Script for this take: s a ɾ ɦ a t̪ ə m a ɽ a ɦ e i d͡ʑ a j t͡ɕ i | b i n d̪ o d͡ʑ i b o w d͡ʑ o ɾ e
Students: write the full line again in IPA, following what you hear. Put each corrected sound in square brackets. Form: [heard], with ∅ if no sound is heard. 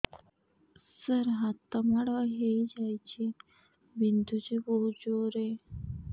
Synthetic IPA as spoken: s [ə] ɾ ɦ a t̪ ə m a ɽ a ɦ e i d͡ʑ a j t͡ɕ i | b i n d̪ [u] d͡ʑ i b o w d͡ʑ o ɾ e